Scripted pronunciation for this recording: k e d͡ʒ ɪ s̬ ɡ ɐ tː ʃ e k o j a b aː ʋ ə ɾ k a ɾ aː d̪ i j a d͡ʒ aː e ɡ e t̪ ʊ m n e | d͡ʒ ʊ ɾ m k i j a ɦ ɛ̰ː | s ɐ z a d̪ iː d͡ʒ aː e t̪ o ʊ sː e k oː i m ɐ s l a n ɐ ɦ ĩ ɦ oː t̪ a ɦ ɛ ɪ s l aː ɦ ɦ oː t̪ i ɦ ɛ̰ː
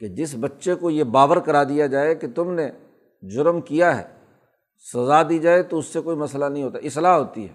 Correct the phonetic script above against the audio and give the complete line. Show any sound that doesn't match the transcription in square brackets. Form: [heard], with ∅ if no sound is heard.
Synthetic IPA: k e d͡ʒ ɪ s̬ [b] ɐ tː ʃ e k o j [e] b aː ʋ ə ɾ k [ɐ] ɾ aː d̪ i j a d͡ʒ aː e [k] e t̪ ʊ m n e | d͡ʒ ʊ ɾ m k i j a ɦ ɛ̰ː | s ɐ z a d̪ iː d͡ʒ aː e t̪ o ʊ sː e k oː i m ɐ s l a n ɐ ɦ ĩ ɦ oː t̪ a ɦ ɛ ɪ s l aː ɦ ɦ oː t̪ i ɦ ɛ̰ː